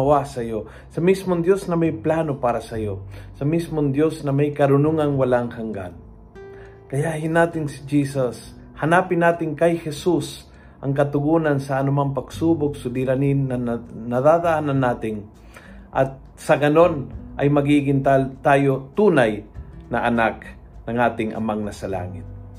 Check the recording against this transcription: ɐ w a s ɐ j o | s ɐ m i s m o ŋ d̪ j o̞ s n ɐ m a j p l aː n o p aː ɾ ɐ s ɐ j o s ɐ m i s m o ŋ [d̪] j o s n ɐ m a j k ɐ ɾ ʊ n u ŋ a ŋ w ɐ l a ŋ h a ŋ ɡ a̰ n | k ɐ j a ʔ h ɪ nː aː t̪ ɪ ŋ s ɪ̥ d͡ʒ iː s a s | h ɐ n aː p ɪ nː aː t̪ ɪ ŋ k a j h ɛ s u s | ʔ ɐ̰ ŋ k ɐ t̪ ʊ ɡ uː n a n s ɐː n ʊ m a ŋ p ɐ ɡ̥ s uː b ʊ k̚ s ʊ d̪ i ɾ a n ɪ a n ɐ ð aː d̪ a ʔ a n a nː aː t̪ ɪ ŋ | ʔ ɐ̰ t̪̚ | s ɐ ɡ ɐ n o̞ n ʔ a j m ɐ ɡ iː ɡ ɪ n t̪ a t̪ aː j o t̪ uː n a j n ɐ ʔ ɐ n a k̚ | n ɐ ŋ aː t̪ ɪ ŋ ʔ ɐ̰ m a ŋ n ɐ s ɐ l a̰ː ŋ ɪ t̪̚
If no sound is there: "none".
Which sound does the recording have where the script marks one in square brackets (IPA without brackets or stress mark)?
d̪